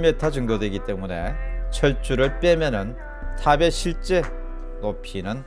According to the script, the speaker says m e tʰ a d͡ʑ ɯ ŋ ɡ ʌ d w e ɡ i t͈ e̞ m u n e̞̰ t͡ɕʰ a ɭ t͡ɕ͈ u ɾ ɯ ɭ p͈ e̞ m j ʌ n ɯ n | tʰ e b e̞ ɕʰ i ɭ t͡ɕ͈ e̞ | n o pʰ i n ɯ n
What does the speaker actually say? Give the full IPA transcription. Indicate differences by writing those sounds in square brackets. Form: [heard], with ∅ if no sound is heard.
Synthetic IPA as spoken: m e tʰ a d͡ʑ ɯ ŋ ɡ ʌ d w e ɡ i t͈ e̞ m u n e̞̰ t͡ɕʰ [ʌ] ɭ t͡ɕ͈ u ɾ ɯ ɭ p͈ e̞ m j ʌ n ɯ n | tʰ [a] b e̞ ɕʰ i ɭ t͡ɕ͈ e̞ | n o pʰ i n ɯ n